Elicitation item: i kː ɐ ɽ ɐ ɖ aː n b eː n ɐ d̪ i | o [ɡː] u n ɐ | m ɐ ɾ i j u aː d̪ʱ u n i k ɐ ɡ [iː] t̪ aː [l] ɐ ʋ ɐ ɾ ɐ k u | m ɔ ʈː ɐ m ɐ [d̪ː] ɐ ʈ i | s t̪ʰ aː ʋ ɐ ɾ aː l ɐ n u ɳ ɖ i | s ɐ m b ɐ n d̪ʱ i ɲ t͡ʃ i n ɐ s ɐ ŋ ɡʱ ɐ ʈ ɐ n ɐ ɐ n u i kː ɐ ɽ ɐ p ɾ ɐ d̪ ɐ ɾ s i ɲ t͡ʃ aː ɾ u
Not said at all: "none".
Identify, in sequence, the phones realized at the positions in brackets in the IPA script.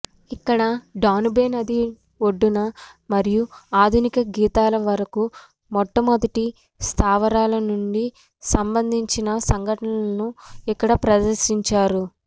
ɖː, iː, l, d̪

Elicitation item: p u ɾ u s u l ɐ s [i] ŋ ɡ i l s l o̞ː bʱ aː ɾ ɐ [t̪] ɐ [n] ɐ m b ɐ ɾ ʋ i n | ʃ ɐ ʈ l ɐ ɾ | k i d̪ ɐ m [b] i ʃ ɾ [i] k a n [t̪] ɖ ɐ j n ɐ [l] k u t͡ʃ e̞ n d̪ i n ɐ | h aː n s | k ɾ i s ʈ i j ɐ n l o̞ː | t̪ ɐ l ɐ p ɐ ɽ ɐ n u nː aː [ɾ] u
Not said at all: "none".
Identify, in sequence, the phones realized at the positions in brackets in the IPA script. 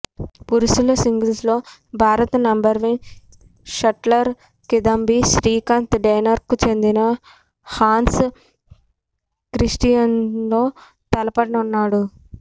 i, t̪, n, b, iː, t̪, ɾ, ɽ

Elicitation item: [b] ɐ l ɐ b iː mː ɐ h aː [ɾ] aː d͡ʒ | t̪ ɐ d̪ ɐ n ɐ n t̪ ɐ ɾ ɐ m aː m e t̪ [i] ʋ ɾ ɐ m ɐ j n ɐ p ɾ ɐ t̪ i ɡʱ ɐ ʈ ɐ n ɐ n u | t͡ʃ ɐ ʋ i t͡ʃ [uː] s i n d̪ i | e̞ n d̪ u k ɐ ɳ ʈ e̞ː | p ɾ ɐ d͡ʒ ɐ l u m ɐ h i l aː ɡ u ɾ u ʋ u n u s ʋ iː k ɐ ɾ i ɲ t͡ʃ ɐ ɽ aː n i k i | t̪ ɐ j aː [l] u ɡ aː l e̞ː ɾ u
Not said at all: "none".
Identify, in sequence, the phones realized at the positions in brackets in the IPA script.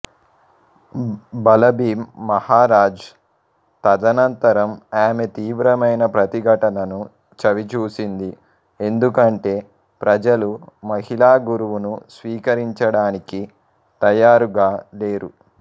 b, ɾ, iː, uː, ɾ

